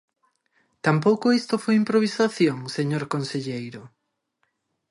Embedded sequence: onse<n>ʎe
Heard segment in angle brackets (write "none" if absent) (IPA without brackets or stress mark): none